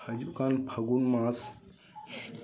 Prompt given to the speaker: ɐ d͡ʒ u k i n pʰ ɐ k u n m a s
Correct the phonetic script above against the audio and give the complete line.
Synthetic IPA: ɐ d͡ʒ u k a n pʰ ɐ ɡ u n m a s